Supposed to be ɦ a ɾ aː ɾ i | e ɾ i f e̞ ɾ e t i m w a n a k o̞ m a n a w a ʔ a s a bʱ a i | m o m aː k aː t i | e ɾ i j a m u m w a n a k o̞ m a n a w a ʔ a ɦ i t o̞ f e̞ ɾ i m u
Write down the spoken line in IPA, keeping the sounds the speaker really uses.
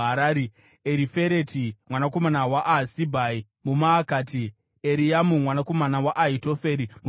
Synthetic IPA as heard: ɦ a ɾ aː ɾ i | e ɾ i f e̞ ɾ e t i m w a n a k o̞ m a n a w a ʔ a s i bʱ a i | m u m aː k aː t i | e ɾ i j a m u m w a n a k o̞ m a n a w a ʔ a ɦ i t o̞ f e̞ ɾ i m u